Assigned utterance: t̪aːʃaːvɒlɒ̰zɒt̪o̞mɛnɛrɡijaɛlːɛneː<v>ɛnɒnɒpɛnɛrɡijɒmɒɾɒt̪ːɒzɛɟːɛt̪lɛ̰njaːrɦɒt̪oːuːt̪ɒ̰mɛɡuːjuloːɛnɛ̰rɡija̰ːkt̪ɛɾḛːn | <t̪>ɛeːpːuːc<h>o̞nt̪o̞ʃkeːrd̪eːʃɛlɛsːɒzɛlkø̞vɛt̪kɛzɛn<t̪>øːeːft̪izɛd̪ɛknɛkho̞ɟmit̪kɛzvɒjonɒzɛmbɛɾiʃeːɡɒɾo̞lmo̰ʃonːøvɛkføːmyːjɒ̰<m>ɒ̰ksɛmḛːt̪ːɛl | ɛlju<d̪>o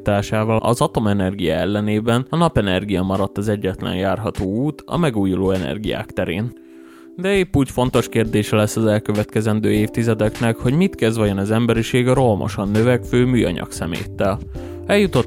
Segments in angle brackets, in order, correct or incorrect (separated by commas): incorrect, incorrect, incorrect, incorrect, incorrect, incorrect